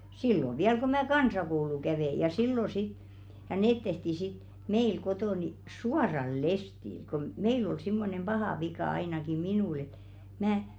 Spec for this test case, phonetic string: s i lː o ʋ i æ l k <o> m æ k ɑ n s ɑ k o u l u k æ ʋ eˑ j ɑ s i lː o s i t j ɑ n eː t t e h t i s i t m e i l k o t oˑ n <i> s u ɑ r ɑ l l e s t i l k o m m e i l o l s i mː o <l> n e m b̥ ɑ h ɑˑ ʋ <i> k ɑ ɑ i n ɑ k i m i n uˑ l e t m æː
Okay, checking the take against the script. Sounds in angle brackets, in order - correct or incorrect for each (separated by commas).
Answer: correct, correct, incorrect, correct